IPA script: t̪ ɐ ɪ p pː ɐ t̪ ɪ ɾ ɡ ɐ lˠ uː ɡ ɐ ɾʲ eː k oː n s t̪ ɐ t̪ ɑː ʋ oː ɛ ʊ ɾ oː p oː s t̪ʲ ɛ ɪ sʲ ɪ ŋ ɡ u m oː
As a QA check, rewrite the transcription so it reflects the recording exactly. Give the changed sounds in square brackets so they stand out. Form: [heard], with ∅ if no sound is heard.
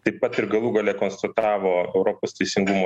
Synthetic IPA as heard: t̪ ɐ ɪ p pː ɐ t̪ ɪ ɾ ɡ ɐ lˠ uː ɡ ɐ [lʲ] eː k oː n s t̪ ɐ t̪ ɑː ʋ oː ɛ ʊ ɾ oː p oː s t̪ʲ ɛ ɪ sʲ ɪ ŋ ɡ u m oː